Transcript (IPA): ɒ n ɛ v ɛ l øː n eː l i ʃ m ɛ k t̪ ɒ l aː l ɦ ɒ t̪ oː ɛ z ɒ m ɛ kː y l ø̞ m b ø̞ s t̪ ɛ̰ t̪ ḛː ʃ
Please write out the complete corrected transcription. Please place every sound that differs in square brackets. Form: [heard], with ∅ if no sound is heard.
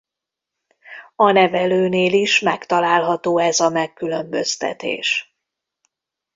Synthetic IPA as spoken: ɒ n ɛ v ɛ l øː n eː l i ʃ m ɛ k t̪ ɒ l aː l ɦ ɒ t̪ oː ɛ z ɒ m ɛ kː y l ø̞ m b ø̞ s t̪ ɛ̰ t̪ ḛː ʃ